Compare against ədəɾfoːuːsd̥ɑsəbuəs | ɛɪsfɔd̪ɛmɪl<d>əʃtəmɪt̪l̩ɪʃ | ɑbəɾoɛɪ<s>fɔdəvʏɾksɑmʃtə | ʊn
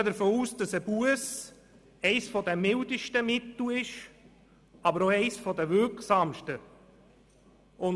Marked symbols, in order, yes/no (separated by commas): yes, yes